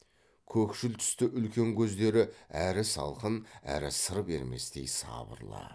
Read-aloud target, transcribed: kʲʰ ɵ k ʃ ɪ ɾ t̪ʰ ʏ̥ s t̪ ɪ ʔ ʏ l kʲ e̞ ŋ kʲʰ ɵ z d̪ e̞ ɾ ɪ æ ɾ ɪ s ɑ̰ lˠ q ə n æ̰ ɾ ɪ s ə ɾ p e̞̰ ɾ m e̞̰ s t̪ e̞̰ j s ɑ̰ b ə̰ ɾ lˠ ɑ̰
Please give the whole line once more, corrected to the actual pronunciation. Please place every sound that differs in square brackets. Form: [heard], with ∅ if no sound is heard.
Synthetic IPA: kʲʰ ɵ k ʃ ɪ [l] t̪ʰ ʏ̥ s t̪ ɪ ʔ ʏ l kʲ e̞ ŋ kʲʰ ɵ z d̪ e̞ ɾ ɪ æ ɾ ɪ s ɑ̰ lˠ q ə n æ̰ ɾ ɪ s ə ɾ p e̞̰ ɾ m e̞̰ s t̪ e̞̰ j s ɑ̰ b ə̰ ɾ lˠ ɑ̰

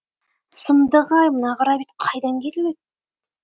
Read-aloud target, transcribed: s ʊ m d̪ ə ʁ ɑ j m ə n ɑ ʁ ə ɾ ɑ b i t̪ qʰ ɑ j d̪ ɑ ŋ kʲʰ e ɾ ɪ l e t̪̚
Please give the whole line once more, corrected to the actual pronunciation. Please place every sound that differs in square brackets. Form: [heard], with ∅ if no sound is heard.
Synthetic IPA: s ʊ m d̪ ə ʁ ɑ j m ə n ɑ ʁ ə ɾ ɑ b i t̪ qʰ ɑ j d̪ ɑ ŋ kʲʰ e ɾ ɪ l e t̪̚

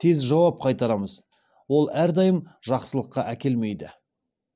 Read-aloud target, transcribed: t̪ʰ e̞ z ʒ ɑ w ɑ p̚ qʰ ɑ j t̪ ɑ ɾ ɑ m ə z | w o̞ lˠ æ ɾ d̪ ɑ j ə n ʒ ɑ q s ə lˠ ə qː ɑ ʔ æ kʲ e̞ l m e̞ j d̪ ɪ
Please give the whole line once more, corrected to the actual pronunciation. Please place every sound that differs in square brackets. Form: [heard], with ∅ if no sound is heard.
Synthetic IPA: t̪ʰ e̞ z ʒ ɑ w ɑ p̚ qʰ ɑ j t̪ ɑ ɾ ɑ m ə z | w o̞ lˠ æ ɾ d̪ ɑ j ə [m] ʒ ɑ q s ə lˠ ə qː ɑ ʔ æ kʲ e̞ l m e̞ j d̪ ɪ

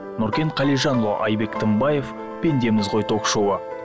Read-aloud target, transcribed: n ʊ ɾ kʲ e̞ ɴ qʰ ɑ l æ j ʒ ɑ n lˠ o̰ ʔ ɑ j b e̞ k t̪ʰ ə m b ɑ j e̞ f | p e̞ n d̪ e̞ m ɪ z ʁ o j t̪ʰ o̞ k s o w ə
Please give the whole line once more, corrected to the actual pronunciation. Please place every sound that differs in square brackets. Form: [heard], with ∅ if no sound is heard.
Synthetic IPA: n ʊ ɾ kʲ e̞ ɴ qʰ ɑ l [i] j ʒ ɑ n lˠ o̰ ʔ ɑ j b e̞ k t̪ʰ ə m b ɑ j e̞ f | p e̞ n d̪ e̞ m ɪ z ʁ o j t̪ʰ o̞ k [ʃ] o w ə

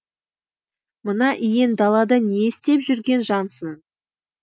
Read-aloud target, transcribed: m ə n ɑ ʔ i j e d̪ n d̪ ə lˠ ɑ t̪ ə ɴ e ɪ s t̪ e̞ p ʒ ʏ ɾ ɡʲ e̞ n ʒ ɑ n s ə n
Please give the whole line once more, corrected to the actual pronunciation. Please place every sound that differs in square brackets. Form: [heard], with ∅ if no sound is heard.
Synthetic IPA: m ə n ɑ ʔ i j e [∅] n d̪ [ɑ] lˠ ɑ [d̪] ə [n] e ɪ s t̪ e̞ p ʒ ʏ ɾ ɡʲ e̞ n ʒ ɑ n s ə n

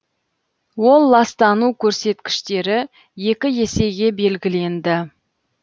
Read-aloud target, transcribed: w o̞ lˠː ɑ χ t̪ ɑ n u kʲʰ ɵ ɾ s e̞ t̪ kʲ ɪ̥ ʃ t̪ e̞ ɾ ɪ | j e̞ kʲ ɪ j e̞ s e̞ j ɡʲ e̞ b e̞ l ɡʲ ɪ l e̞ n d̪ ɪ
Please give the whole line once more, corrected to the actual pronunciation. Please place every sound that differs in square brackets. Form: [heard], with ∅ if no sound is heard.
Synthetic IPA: w o̞ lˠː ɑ [s] t̪ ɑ n u kʲʰ ɵ ɾ s e̞ t̪ kʲ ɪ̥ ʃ t̪ e̞ ɾ ɪ | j e̞ kʲ ɪ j e̞ s e̞ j ɡʲ e̞ b e̞ l ɡʲ ɪ l e̞ n d̪ ɪ

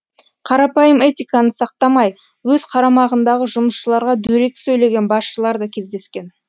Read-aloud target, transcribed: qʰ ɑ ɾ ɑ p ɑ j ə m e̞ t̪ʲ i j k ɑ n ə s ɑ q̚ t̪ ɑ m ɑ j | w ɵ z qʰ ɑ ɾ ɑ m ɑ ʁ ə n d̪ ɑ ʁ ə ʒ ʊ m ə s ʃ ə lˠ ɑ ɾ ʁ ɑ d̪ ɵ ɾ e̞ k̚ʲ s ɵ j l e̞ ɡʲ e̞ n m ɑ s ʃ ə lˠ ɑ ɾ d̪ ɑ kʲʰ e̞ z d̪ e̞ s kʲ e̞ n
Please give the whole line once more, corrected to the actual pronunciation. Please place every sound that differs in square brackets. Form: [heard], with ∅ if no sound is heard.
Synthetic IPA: qʰ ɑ ɾ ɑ p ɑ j ə m e̞ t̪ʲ i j k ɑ n ə s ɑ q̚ t̪ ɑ m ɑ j | w ɵ z qʰ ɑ ɾ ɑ m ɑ ʁ ə n d̪ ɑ ʁ ə ʒ ʊ m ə s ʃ ə lˠ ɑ ɾ ʁ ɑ d̪ ɵ ɾ e̞ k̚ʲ s ɵ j l e̞ ɡʲ e̞ n [b] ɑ s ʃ ə lˠ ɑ ɾ d̪ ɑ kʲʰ e̞ z d̪ e̞ s kʲ e̞ n

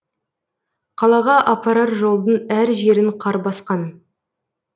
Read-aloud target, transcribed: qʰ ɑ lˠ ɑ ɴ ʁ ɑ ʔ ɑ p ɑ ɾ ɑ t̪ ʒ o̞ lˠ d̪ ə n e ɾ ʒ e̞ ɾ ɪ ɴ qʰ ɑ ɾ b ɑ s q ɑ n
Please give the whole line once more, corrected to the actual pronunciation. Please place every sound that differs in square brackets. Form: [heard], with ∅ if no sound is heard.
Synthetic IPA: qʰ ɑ lˠ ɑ [∅] ʁ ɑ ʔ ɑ p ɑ ɾ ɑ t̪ ʒ o̞ lˠ d̪ ə n [æ] ɾ ʒ e̞ ɾ ɪ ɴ qʰ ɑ ɾ b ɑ s q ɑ n

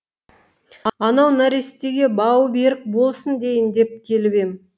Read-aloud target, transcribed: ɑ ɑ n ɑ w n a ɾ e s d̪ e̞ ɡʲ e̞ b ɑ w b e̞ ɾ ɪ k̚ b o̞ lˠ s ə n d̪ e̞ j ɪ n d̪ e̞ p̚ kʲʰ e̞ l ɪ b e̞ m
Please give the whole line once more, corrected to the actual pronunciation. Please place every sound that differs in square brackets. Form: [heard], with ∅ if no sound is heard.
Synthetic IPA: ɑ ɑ n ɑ w n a ɾ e s [t̪] e̞ ɡʲ e̞ b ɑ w b e̞ ɾ ɪ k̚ b o̞ lˠ s ə n d̪ e̞ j ɪ n d̪ e̞ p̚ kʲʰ e̞ l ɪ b e̞ m

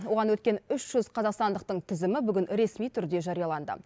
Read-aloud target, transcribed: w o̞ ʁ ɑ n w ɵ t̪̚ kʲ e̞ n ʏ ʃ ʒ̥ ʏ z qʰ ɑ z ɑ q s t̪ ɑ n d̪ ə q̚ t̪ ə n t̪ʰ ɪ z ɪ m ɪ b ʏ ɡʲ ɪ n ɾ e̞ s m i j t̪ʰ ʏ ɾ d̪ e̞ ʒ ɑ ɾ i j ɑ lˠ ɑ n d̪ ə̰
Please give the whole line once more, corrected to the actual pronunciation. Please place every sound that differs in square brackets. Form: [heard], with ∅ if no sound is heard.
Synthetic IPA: w o̞ ʁ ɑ n w ɵ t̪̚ kʲ e̞ n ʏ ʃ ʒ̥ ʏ z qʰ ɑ z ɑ q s t̪ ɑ n d̪ ə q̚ t̪ ə [ɴ] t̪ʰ ɪ z ɪ m ɪ b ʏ ɡʲ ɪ n ɾ e̞ s m i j t̪ʰ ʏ ɾ d̪ e̞ ʒ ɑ ɾ i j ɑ lˠ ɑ n d̪ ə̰

